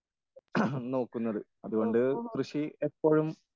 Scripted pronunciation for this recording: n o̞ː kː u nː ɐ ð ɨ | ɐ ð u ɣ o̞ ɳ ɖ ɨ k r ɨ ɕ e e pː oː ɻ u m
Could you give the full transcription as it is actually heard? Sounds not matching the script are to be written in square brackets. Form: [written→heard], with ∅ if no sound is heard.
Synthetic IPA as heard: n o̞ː kː u nː ɐ ð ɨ | ɐ ð u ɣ o̞ ɳ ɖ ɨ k r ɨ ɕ [e→i] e pː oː ɻ u m